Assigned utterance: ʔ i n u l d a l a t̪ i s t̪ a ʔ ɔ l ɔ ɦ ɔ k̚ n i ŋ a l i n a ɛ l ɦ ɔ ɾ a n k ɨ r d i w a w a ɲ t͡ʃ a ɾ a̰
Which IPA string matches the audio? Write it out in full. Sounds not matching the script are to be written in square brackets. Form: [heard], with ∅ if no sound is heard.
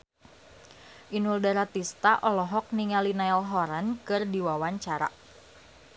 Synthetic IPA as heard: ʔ i n u l d a [ɾ] a t̪ i s t̪ a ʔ ɔ l ɔ ɦ ɔ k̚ n i ŋ a l i n a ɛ l ɦ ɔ ɾ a n k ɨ r d i w a w a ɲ t͡ʃ a ɾ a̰